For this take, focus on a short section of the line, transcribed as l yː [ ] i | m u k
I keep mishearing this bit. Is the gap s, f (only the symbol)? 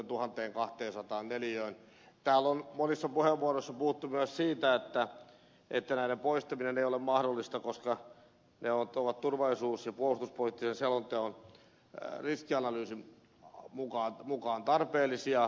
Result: s